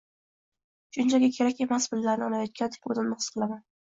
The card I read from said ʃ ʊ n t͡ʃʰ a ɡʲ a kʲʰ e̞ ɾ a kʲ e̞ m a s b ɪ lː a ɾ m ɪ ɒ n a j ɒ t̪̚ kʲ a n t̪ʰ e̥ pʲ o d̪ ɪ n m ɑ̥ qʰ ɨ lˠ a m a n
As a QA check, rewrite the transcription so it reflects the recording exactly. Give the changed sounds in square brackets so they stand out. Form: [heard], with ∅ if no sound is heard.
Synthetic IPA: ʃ ʊ n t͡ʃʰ a ɡʲ a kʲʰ e̞ ɾ a kʲ e̞ m a s b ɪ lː a ɾ [n] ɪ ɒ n a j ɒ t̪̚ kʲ a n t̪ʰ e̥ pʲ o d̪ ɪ n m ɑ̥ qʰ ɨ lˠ a m a n